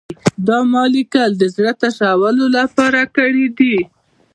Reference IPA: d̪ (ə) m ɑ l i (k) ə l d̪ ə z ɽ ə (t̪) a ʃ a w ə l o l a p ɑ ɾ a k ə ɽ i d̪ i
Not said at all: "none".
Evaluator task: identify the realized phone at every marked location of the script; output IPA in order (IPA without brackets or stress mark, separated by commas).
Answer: ɑ, k, t̪